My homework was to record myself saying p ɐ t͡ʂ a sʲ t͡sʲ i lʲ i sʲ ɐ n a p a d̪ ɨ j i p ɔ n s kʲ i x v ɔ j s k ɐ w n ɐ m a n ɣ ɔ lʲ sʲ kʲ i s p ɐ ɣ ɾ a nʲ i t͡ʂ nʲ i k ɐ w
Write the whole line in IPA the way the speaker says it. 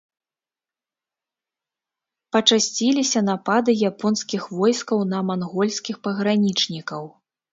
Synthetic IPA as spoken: p ɐ t͡ʂ a sʲ t͡sʲ i lʲ i sʲ ɐ n a p a d̪ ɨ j a p ɔ n s kʲ i x v ɔ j s k ɐ w n ɐ m a n ɣ ɔ lʲ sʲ kʲ i x p ɐ ɣ ɾ a nʲ i t͡ʂ nʲ i k ɐ w